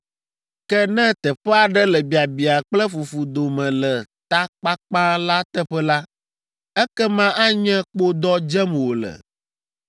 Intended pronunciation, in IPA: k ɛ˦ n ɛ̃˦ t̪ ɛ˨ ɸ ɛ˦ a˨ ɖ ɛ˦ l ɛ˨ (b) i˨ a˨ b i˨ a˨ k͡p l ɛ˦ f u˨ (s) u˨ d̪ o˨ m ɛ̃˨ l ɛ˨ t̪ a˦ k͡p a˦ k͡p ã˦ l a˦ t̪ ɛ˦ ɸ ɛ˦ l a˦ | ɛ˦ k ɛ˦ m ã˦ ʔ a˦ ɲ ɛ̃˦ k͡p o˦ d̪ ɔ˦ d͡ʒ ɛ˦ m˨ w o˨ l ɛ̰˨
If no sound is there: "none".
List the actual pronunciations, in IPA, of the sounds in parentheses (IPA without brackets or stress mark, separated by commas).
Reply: b, f